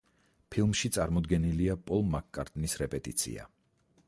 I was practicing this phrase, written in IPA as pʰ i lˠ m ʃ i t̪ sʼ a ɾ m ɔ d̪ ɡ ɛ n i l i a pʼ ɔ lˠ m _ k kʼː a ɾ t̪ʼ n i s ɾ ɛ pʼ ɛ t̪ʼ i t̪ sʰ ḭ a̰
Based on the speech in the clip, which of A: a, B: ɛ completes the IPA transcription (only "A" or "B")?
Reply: A